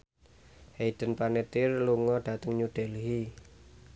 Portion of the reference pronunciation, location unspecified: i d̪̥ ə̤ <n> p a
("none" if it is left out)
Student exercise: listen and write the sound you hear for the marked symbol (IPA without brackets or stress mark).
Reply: n